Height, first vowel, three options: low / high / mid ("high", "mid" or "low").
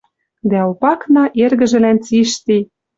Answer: low